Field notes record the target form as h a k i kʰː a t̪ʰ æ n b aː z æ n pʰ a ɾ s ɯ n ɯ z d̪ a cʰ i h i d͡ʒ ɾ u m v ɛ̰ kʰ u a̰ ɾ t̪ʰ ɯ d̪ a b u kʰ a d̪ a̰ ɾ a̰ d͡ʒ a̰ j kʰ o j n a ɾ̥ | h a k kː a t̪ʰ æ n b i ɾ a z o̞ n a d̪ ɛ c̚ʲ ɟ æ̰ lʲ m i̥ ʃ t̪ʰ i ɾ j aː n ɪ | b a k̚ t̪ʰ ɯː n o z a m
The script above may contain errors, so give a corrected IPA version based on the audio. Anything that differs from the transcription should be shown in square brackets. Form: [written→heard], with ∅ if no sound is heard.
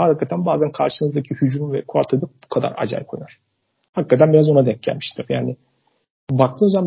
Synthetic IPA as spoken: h a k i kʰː a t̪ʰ æ n b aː z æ n [pʰ→kʰ] a ɾ [s→ʃ] ɯ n ɯ z d̪ a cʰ i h [i→y] d͡ʒ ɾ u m v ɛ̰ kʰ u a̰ ɾ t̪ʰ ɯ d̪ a b u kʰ a d̪ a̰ ɾ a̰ d͡ʒ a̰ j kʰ o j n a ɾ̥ | h a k kː a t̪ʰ æ n b i ɾ a z o̞ n a d̪ ɛ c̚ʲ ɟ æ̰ lʲ m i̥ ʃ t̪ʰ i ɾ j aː n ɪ | b a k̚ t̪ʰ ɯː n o z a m